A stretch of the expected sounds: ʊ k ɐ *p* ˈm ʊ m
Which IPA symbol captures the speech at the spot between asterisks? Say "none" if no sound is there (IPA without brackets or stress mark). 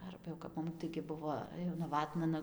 p